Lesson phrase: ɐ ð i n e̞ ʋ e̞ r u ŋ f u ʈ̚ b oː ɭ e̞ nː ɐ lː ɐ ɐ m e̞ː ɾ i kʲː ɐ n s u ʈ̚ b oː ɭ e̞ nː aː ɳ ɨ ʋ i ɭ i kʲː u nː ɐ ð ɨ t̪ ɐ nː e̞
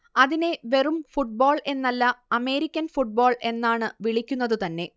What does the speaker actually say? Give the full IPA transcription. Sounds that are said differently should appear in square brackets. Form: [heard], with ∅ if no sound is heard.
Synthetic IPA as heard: ɐ ð i n e̞ ʋ e̞ r u [m] f u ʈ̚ b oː ɭ e̞ nː ɐ lː ɐ ɐ m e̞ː ɾ i kʲː ɐ n [f] u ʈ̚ b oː ɭ e̞ nː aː ɳ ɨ ʋ i ɭ i kʲː u nː ɐ ð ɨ t̪ ɐ nː e̞